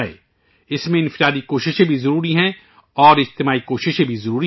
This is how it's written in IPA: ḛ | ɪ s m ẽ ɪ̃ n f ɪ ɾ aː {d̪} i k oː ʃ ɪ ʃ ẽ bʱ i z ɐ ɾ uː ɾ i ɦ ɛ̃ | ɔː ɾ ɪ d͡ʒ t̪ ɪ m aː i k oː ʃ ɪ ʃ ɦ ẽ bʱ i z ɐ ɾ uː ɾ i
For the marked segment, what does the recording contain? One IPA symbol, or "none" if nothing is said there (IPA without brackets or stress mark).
d̪